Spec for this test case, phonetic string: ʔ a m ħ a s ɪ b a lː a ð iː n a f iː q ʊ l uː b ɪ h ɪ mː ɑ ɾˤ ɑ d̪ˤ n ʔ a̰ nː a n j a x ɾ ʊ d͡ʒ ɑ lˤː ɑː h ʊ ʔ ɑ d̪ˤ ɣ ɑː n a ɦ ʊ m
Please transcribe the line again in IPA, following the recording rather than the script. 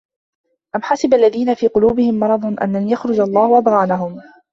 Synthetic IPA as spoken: ʔ a m ħ a s ɪ b a lː a ð iː n a f iː q ʊ l uː b ɪ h ɪ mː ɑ ɾˤ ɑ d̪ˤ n ʔ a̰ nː a n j a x ɾ ʊ d͡ʒ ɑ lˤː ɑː h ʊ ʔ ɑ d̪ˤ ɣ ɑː n a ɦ ʊ m